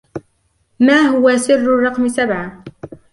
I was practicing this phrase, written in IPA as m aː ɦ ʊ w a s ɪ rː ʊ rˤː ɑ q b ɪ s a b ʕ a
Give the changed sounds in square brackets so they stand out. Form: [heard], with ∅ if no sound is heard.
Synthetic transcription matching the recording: m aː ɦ ʊ w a s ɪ rː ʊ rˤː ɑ q [m] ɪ s a b ʕ a

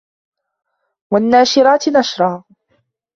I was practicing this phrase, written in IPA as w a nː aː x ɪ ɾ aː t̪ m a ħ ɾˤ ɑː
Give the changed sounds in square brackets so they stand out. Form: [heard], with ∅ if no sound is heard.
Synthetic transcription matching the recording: w a nː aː [ʃ] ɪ ɾ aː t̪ [n] a [ʃ] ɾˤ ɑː

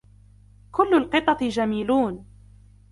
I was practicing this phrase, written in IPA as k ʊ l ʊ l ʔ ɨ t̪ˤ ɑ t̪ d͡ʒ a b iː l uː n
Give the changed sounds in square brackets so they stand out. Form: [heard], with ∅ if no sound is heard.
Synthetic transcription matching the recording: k ʊ [lː] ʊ l [q] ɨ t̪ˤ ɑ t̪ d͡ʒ a [m] iː l uː n

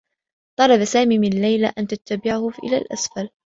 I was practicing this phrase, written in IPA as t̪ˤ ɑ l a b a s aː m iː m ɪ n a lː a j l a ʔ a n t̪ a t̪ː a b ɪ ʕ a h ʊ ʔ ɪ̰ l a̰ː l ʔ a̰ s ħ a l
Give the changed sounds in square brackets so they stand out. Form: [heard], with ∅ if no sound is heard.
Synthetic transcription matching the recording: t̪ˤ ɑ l [ɑ] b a s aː m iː m ɪ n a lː a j l a ʔ a n t̪ a t̪ː a b ɪ ʕ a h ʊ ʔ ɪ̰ l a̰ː l ʔ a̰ s [f] a l

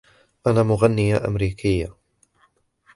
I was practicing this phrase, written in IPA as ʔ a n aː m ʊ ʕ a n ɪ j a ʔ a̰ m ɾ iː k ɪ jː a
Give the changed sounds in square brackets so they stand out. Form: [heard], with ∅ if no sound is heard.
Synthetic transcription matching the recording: ʔ a n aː m ʊ [ɣ] a [nː] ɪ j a ʔ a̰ m ɾ iː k ɪ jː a

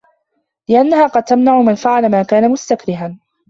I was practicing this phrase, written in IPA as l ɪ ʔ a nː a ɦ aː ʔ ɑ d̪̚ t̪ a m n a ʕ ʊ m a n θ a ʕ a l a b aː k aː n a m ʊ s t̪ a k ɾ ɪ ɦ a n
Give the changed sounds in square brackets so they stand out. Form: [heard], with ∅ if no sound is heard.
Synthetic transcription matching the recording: l ɪ ʔ a nː a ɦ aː [q] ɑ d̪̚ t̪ a m n a ʕ ʊ m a n [f] a ʕ a l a [m] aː k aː n a m ʊ s t̪ a k ɾ ɪ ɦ a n

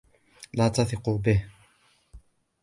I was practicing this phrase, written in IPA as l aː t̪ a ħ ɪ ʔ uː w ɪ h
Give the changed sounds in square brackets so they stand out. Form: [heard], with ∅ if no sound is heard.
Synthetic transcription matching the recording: l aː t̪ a [θ] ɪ [q] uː [b] ɪ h

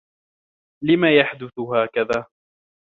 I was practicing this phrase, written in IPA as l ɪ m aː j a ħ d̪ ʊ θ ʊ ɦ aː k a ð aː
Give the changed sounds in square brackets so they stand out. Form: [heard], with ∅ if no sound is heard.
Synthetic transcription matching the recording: l ɪ m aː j a ħ d̪ ʊ θ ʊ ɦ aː k a ð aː

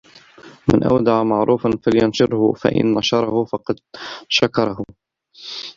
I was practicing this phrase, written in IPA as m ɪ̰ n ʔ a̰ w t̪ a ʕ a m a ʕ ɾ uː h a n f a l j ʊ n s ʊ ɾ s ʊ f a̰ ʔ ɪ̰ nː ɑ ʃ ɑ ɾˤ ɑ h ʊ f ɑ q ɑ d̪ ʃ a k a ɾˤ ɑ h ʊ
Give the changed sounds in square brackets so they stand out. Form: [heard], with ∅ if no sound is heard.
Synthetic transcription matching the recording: m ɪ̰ n ʔ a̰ w [d̪] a ʕ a m a ʕ ɾ uː [f] a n f a l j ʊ n [ʃ] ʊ ɾ [h] ʊ f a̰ ʔ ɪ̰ nː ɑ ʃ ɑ ɾˤ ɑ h ʊ f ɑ q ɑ d̪ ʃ a k [ɑ] ɾˤ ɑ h ʊ

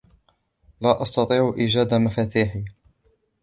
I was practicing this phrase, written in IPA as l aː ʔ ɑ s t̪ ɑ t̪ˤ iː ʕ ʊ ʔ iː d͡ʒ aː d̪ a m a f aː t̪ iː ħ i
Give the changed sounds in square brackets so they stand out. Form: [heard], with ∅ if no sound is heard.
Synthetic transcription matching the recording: l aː ʔ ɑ s t̪ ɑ t̪ˤ iː ʕ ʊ ʔ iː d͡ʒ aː d̪ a m a f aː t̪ iː ħ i

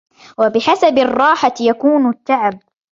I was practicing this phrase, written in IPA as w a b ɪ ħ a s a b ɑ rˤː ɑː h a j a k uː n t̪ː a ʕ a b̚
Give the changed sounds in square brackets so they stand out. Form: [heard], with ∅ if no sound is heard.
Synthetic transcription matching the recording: w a b ɪ ħ a s a b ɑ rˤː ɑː [ħ] a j a k uː n t̪ː a ʕ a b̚

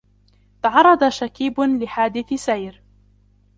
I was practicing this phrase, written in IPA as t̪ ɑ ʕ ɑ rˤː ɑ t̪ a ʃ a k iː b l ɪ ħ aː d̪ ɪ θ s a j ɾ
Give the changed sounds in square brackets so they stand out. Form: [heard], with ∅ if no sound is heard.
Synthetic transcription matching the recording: t̪ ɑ ʕ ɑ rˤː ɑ [d̪] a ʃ a k iː b l ɪ ħ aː d̪ ɪ θ s a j ɾ

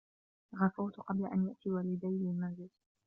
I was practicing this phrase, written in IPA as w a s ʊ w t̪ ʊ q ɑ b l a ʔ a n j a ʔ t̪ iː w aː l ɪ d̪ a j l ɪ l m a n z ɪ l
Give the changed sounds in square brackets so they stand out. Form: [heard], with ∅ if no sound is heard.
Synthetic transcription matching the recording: [ɣ] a [f] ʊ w t̪ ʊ q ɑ b l a ʔ a n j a ʔ t̪ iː w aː l ɪ d̪ a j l ɪ l m a n z ɪ l

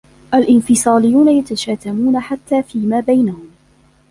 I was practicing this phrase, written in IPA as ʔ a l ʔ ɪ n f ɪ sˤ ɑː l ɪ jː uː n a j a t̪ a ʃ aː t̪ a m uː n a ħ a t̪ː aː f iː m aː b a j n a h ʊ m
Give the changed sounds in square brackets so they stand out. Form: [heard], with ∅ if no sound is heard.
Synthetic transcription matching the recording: ʔ a l ʔ ɪ n f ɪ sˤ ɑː l ɪ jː uː n a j a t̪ a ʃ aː t̪ a m uː n a ħ a t̪ː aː f iː m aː b a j n a h ʊ m

